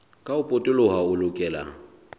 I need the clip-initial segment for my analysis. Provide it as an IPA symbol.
kʼ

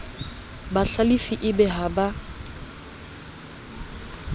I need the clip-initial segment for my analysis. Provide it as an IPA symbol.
b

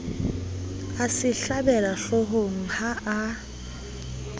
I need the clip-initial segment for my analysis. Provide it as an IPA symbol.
a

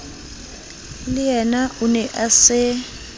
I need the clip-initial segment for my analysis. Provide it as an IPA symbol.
l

